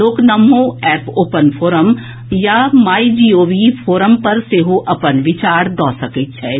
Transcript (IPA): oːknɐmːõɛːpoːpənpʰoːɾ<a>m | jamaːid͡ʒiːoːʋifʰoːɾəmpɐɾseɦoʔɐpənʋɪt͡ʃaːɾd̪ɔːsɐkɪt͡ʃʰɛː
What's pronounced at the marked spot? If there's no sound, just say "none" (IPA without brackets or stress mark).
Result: ə